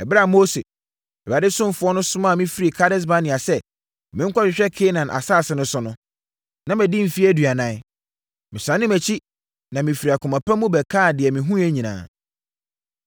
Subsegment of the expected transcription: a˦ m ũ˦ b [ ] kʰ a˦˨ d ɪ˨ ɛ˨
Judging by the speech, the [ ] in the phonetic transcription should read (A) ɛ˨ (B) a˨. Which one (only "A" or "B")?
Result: A